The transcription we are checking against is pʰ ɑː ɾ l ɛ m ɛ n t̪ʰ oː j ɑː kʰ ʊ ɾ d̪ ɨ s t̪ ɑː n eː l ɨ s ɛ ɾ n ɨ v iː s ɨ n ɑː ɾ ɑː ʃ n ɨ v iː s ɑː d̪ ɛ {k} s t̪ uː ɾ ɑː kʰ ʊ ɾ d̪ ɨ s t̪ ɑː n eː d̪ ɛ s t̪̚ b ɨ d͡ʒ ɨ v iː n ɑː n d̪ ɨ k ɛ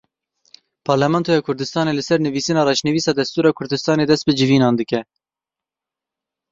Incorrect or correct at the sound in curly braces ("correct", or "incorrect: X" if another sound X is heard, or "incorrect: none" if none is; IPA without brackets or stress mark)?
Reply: incorrect: none